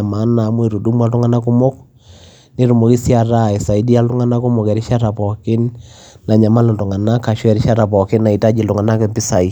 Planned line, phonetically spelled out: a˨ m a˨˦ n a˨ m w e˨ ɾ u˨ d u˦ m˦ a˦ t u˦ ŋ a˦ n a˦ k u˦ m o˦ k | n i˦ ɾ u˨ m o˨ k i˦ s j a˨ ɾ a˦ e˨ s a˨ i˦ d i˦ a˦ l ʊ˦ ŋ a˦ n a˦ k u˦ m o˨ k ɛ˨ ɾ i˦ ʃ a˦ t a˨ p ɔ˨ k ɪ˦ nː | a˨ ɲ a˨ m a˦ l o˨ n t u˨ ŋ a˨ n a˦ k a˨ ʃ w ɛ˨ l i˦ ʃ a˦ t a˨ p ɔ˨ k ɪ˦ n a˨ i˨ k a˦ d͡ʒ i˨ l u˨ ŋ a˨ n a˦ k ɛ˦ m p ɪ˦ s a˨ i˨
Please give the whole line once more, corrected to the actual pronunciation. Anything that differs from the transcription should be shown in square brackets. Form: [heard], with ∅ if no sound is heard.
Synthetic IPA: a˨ m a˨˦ n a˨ m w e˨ ɾ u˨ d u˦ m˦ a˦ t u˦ ŋ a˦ n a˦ k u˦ m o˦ k | n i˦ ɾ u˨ m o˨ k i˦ s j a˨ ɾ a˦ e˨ s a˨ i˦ d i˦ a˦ l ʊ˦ ŋ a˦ n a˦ k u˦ m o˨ k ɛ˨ ɾ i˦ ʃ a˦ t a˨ p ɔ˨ k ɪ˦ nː | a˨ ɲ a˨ m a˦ l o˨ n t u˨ ŋ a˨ n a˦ k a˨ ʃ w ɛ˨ [ɾ] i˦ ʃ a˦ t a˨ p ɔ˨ k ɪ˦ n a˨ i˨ [t] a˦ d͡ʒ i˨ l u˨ ŋ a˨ n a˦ k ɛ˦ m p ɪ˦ s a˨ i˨